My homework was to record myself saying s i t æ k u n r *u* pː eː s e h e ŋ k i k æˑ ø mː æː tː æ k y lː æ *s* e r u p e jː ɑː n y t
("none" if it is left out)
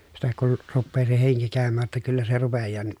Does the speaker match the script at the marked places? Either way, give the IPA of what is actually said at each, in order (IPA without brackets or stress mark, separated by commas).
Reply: u, s